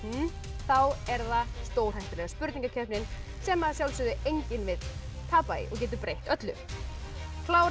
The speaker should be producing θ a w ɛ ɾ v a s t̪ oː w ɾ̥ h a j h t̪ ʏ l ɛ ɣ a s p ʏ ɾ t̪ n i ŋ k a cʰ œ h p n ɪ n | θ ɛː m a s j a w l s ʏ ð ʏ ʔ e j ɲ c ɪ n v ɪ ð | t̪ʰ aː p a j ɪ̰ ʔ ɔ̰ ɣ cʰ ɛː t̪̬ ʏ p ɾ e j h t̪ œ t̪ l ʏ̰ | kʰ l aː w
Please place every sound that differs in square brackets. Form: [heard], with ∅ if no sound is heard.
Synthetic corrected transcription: θ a w ɛ ɾ [ð] a s t̪ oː w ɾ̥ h a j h t̪ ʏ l ɛ ɣ a s p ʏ ɾ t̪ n i ŋ k a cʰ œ h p n ɪ n | [s] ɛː m a s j a w l s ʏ ð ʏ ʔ e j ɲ c ɪ n v ɪ ð | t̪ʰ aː p a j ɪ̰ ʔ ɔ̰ ɣ [c] ɛː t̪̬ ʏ p ɾ e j h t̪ œ t̪ l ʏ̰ | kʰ l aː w

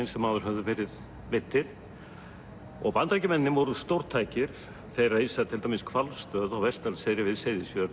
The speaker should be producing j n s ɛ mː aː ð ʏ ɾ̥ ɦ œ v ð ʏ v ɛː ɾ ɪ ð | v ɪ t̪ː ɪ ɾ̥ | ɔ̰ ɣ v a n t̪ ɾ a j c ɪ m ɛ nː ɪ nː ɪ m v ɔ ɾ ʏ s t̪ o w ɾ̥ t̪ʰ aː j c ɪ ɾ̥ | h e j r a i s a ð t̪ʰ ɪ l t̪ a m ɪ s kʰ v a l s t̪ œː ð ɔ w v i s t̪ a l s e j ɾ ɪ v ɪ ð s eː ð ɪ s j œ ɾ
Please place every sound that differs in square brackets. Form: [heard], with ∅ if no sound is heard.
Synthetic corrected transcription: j n s ɛ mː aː ð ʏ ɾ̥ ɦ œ v ð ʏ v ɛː ɾ ɪ ð | v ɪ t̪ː ɪ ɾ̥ | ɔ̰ ɣ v a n t̪ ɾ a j c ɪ m ɛ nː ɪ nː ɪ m v ɔ ɾ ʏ s t̪ o w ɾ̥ t̪ʰ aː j c ɪ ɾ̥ | [θ] e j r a i s a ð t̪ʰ ɪ l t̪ a m ɪ s kʰ v a l s t̪ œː ð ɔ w v [ɛ] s t̪ a l s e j ɾ ɪ v ɪ ð s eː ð ɪ s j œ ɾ

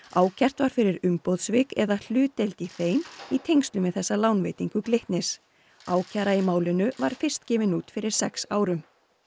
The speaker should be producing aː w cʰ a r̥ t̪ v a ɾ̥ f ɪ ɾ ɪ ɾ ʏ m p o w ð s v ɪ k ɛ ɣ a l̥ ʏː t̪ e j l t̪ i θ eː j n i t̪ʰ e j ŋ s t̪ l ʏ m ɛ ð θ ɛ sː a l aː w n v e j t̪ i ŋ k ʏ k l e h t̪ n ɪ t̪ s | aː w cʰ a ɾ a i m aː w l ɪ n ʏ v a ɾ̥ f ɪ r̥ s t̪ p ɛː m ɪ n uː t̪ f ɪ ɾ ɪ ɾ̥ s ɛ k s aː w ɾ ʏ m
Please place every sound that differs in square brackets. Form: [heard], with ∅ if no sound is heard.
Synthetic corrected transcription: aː w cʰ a r̥ t̪ v a ɾ̥ f ɪ ɾ ɪ ɾ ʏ m p o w ð s v ɪ k ɛ [ð] a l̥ ʏː t̪ e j l t̪ i θ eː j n i t̪ʰ e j ŋ s t̪ l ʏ m ɛ ð θ ɛ sː a l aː w n v e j t̪ i ŋ k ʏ k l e h t̪ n ɪ [∅] s | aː w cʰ a ɾ a i m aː w l ɪ n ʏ v a ɾ̥ f ɪ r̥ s t̪ [c] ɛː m ɪ n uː t̪ f ɪ ɾ ɪ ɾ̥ s ɛ k s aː w ɾ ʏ m

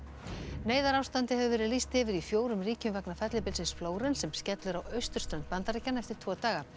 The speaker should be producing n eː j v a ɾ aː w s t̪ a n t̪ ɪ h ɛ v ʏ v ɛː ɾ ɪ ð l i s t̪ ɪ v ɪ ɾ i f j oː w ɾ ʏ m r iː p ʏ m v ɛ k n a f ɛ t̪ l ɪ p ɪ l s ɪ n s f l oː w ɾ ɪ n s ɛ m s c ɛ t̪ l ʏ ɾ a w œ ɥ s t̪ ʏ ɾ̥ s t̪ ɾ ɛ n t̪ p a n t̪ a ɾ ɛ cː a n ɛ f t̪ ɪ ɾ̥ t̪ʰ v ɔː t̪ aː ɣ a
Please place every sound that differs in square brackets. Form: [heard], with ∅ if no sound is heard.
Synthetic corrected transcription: n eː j [ð] a ɾ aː w s t̪ a n t̪ ɪ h ɛ v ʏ v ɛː ɾ ɪ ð l i s t̪ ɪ v ɪ ɾ i f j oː w ɾ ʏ m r iː [c] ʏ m v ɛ k n a f ɛ t̪ l ɪ p ɪ l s ɪ n s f l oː w ɾ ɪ n s ɛ m s c ɛ t̪ l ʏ ɾ a w œ ɥ s t̪ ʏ ɾ̥ s t̪ ɾ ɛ n t̪ p a n t̪ a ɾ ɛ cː a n ɛ f t̪ ɪ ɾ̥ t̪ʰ v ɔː t̪ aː ɣ a

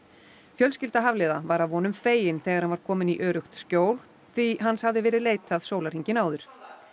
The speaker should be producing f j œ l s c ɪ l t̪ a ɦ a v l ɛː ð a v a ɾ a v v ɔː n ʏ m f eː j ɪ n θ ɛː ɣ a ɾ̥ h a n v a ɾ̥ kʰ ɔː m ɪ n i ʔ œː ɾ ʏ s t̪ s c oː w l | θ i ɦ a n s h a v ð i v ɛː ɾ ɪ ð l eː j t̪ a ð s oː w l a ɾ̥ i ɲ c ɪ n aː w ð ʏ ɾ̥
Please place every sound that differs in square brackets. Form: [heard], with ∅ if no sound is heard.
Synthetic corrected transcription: f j œ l s c ɪ l t̪ a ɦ a v l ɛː ð a v a ɾ a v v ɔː n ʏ m f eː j ɪ n θ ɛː ɣ a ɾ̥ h a n v a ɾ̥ kʰ ɔː m ɪ n i ʔ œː ɾ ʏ [x] t̪ s c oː w l | θ i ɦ a n s h a v ð [ɪ] v ɛː ɾ ɪ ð l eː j t̪ a ð s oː w l a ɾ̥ i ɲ c ɪ n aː w ð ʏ ɾ̥

